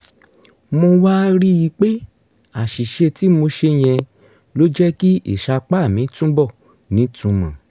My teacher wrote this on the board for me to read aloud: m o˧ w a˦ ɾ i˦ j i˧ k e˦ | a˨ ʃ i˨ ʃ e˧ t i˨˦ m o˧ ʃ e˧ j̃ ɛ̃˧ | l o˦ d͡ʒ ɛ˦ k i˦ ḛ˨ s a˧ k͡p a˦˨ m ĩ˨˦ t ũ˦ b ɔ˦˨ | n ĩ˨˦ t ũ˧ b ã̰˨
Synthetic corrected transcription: m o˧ w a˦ ɾ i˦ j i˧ k͡p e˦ | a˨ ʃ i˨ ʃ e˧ t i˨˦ m o˧ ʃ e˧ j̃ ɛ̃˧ | l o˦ d͡ʒ ɛ˦ k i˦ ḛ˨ ʃ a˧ k͡p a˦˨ m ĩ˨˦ t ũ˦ b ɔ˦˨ | n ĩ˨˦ t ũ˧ m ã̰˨